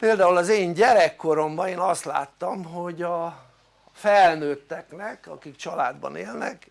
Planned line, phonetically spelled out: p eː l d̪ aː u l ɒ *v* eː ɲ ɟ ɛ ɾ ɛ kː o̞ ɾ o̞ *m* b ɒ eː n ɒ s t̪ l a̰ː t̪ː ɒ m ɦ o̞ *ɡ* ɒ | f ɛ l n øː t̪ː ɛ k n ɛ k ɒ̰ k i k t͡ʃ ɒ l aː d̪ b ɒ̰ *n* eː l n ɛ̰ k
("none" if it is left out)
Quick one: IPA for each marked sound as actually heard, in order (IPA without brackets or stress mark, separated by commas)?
z, m, ɟ, n